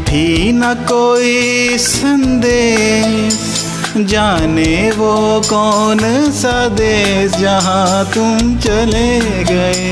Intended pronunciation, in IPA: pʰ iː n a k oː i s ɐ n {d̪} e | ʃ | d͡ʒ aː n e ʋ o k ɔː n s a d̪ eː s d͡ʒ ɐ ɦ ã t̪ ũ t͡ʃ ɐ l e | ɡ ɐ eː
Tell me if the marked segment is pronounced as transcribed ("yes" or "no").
yes